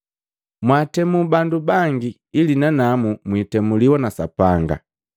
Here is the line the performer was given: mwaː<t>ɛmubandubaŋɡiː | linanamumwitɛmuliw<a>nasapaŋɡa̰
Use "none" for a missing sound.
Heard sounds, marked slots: t, a

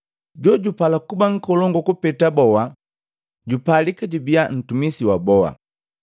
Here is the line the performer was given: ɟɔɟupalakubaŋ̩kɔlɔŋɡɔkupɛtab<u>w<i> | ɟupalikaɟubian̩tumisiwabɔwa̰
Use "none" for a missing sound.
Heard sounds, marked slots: ɔ, a

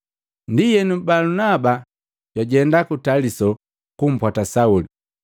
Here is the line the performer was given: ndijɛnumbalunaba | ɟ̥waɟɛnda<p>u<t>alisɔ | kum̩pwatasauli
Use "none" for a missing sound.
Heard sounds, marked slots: k, t

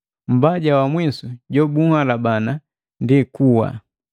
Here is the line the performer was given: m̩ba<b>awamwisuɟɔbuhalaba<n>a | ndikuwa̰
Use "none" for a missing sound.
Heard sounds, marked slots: ɟ, n

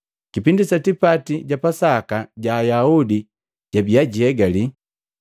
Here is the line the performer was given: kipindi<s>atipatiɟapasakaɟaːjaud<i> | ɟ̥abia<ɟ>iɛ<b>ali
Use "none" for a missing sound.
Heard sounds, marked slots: s, i, ɟ, ɡ

